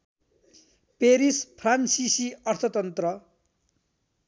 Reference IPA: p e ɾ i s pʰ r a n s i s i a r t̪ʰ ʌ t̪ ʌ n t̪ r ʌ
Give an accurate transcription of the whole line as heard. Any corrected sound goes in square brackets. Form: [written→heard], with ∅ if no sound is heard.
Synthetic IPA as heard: p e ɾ i s pʰ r a n s i s i [a→ʌ] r t̪ʰ ʌ t̪ ʌ n t̪ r ʌ